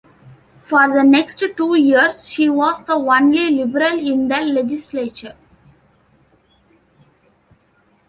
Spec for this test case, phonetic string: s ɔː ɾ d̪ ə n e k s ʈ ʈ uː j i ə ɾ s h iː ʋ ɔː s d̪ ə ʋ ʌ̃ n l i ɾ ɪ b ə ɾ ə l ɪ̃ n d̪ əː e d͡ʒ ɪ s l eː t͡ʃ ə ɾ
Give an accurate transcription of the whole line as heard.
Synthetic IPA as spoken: f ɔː ɾ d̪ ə n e k s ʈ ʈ uː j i ə ɾ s ʃ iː ʋ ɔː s d̪ ə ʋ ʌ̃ n l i l ɪ b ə ɾ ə l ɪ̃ n d̪ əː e d͡ʒ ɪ s l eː t͡ʃ ə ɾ